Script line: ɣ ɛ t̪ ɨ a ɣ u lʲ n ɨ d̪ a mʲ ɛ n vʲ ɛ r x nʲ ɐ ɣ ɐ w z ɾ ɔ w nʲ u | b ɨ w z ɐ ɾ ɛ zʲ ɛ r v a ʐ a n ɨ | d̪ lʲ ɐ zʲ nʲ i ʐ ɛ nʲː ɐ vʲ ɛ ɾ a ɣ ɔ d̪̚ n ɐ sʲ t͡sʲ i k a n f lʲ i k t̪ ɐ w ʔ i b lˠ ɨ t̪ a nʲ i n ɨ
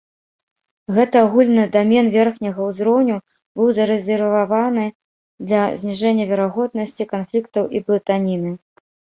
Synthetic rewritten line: ɣ ɛ t̪ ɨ a ɣ u lʲ n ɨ d̪ a mʲ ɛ n vʲ ɛ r x nʲ ɐ ɣ ɐ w z ɾ ɔ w nʲ u | b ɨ w z ɐ ɾ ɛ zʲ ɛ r v a v a n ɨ | d̪ lʲ ɐ zʲ nʲ i ʐ ɛ nʲː ɐ vʲ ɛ ɾ a ɣ ɔ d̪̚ n ɐ sʲ t͡sʲ i k a n f lʲ i k t̪ ɐ w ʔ i b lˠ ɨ t̪ a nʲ i n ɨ